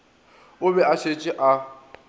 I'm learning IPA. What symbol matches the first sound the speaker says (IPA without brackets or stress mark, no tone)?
ʊ